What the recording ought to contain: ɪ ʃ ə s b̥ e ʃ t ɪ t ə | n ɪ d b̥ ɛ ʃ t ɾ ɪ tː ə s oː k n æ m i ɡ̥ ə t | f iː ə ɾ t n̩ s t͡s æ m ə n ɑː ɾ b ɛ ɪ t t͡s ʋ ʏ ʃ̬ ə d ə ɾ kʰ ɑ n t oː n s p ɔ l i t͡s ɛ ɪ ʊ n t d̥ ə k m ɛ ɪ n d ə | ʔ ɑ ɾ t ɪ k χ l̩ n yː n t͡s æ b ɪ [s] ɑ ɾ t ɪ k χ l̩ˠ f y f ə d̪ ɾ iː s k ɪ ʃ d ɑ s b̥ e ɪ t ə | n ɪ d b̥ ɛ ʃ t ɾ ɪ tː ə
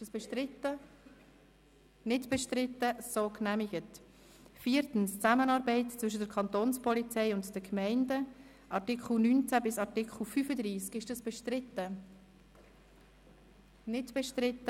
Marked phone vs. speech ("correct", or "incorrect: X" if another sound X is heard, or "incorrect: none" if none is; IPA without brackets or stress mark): correct